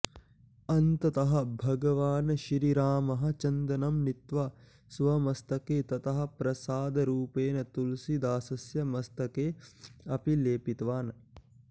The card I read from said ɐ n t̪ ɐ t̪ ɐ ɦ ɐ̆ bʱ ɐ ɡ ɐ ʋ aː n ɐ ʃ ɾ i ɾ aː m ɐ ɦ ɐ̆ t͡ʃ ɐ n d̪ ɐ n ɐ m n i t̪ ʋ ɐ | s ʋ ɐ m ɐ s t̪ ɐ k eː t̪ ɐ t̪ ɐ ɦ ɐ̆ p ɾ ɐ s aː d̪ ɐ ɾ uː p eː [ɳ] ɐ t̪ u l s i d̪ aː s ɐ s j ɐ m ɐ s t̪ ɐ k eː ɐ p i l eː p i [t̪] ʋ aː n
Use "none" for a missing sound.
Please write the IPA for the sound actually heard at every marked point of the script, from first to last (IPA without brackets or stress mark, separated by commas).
n, t̪